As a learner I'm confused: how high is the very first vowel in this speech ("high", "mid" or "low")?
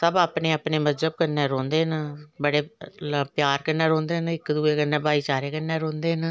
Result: mid